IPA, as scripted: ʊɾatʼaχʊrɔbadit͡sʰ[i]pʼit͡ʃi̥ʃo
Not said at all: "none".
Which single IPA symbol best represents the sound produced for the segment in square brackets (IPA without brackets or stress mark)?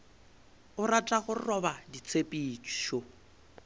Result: e